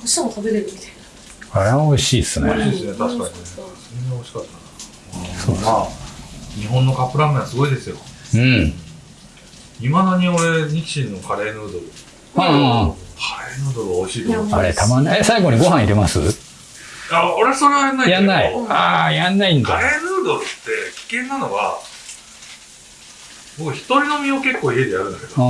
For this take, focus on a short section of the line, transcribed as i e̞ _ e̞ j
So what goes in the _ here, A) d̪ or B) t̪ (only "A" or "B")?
A